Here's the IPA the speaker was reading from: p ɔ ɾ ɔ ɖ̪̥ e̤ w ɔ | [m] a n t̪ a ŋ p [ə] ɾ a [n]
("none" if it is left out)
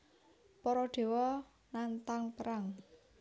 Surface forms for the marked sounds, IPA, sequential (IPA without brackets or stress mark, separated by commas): n, ə, ŋ